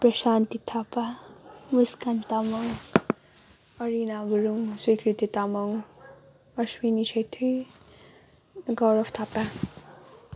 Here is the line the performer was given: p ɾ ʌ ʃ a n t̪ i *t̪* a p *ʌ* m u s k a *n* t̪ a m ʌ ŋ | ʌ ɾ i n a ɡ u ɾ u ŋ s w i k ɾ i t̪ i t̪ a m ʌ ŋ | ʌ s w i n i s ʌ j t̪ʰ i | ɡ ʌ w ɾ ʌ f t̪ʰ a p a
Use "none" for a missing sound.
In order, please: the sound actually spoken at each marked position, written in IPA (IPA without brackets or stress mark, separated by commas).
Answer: t̪ʰ, a, n